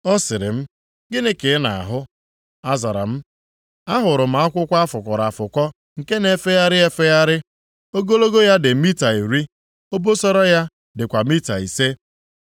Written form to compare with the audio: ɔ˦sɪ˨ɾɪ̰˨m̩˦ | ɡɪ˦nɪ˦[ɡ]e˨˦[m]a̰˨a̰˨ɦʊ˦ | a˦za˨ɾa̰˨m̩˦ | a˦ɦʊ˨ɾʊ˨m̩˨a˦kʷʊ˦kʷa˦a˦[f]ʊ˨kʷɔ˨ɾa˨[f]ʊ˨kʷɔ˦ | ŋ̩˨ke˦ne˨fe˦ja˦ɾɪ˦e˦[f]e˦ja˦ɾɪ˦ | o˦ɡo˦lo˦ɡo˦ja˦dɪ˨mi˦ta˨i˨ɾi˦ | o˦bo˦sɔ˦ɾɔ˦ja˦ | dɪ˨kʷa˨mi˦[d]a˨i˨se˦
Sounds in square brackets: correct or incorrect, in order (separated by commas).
incorrect, incorrect, correct, correct, correct, incorrect